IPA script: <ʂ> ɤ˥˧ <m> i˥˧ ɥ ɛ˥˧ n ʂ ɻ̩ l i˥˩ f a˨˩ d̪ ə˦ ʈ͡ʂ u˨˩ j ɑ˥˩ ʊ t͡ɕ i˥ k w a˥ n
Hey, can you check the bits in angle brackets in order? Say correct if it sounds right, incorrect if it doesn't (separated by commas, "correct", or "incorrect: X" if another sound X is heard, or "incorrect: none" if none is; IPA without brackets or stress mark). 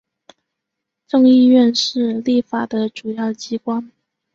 incorrect: ʈ͡ʂ, incorrect: ŋ